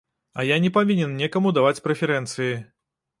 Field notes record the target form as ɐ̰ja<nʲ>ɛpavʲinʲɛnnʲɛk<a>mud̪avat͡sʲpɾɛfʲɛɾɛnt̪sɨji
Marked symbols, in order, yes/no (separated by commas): yes, no